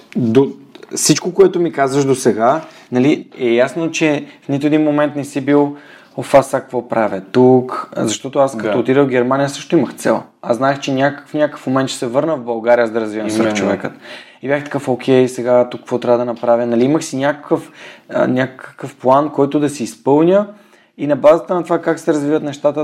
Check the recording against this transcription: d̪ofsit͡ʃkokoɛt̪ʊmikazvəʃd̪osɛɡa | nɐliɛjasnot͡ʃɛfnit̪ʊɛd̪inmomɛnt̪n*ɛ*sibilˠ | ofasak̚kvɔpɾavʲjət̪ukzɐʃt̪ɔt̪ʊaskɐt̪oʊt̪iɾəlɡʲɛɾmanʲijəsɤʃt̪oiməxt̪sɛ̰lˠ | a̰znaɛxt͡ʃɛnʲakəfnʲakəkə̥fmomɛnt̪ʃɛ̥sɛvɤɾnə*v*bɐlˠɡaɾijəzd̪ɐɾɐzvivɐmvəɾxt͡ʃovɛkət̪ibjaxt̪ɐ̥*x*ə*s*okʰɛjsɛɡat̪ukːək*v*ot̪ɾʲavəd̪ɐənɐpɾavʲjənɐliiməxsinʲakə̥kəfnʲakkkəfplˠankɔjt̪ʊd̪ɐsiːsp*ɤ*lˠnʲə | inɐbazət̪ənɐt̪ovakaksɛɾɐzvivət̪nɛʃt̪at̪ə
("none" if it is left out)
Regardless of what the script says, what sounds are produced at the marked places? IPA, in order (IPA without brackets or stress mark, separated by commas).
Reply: ɛ, v, k, f, v, ɤ